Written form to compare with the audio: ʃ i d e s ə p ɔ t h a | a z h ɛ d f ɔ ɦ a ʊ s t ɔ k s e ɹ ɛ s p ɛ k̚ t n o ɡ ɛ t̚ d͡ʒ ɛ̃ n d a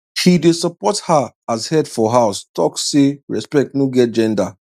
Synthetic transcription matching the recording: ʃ i d e s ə p ɔ t h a | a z h ɛ d f ɔ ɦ a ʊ s t ɔ k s e ɹ ɛ s p ɛ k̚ t n o ɡ ɛ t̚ d͡ʒ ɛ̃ n d a